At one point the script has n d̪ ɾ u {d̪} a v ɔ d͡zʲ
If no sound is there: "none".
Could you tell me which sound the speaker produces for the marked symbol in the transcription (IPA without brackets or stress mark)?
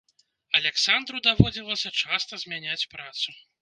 d̪